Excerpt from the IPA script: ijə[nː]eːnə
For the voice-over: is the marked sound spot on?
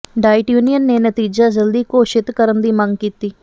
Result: yes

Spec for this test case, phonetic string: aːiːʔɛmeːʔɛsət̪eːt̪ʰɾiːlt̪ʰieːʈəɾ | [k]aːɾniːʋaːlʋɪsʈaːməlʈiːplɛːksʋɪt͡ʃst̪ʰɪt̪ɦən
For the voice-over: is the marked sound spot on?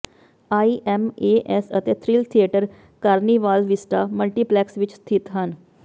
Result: yes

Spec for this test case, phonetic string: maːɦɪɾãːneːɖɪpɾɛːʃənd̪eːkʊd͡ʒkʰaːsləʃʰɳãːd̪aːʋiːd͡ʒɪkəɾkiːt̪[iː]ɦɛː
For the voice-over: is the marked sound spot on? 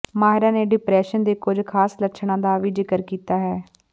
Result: no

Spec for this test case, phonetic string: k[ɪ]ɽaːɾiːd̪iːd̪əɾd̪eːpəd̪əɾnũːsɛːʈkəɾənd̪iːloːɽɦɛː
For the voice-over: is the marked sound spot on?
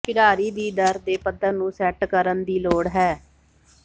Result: yes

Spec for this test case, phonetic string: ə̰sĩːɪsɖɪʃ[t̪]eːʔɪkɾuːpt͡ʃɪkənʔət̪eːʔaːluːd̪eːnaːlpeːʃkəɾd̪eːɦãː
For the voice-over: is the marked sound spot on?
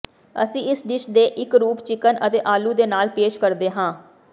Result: no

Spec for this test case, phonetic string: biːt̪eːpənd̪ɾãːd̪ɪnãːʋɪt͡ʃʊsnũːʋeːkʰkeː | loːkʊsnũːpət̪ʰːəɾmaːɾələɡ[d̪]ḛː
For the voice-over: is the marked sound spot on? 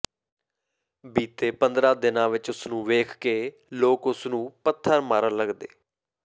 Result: yes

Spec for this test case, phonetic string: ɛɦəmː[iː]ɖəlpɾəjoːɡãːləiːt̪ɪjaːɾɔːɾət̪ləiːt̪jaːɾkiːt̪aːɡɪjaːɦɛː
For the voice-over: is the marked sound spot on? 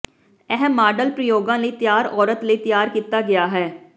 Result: no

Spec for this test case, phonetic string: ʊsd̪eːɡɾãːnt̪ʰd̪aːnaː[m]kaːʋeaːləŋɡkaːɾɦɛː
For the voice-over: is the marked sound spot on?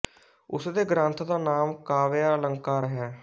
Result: yes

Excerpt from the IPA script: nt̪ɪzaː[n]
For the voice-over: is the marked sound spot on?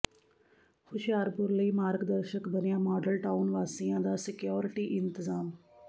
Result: no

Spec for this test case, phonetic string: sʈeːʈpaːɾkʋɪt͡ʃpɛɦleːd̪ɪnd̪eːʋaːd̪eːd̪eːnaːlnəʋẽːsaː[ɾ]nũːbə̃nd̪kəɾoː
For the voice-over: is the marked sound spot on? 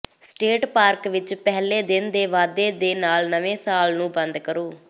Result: no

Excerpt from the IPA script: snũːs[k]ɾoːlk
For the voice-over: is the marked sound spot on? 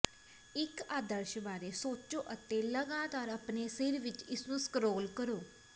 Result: yes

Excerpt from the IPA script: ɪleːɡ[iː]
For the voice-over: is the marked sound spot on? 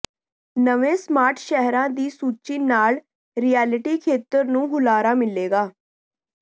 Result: no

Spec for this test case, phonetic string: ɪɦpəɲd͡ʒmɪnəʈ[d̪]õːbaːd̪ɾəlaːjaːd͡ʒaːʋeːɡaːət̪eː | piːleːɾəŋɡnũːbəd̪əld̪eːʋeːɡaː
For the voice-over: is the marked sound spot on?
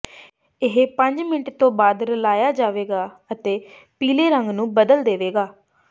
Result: no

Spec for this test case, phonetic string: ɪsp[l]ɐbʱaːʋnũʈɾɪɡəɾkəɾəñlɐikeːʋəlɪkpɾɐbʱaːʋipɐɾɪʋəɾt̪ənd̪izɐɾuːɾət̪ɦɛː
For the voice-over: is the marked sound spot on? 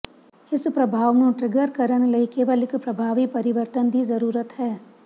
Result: no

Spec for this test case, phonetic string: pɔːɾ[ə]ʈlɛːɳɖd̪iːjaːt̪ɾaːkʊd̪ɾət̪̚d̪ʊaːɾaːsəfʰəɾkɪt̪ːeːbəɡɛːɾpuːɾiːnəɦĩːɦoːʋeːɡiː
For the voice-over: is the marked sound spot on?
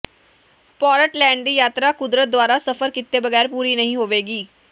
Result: yes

